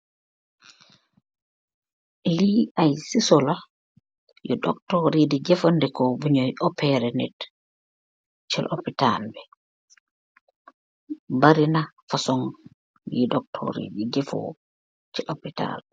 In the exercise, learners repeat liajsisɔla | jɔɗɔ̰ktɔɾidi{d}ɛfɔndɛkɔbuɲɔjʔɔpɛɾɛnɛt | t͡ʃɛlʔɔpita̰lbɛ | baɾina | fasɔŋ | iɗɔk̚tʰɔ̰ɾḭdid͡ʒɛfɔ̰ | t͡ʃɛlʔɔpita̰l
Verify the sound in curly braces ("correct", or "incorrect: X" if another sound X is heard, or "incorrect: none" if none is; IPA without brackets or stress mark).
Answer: incorrect: d͡ʒ